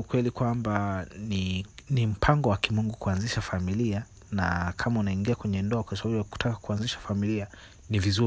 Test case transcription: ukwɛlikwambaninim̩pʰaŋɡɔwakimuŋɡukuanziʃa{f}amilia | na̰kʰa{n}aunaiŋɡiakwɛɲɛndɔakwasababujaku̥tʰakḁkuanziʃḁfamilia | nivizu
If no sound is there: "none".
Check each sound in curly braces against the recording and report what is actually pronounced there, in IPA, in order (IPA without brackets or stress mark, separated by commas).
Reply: f, m